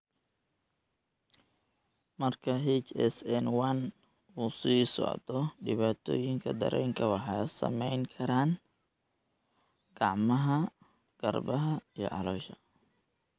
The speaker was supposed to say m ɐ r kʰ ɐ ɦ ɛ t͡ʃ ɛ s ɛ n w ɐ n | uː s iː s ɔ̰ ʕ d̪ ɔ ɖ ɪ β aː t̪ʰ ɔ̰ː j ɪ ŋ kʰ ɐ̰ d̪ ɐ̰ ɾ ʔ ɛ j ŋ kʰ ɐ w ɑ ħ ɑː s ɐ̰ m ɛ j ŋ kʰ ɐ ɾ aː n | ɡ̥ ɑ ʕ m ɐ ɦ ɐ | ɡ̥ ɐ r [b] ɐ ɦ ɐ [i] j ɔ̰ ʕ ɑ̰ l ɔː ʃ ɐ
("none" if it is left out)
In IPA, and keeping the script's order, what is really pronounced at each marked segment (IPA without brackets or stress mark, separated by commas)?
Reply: b, i